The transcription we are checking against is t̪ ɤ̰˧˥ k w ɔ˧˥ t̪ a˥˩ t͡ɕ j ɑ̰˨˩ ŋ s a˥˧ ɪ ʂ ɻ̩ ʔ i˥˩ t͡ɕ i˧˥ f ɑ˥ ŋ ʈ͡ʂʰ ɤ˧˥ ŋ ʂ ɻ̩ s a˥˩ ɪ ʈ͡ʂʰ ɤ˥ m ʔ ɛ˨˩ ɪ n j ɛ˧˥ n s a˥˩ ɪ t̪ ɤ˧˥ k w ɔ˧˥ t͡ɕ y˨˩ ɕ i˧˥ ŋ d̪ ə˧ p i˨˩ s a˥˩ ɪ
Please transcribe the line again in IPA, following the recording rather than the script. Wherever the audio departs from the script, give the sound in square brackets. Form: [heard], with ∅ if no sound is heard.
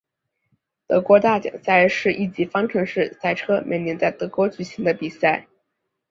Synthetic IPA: t̪ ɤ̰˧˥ k w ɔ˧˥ t̪ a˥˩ t͡ɕ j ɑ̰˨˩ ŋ s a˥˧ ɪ ʂ ɻ̩ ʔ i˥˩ t͡ɕ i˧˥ f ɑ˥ ŋ ʈ͡ʂʰ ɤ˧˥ ŋ ʂ ɻ̩ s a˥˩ ɪ ʈ͡ʂʰ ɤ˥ m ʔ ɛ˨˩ ɪ n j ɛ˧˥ n [t͡s] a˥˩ ɪ t̪ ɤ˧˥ k w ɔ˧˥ t͡ɕ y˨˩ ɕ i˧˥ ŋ d̪ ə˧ p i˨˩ s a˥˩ ɪ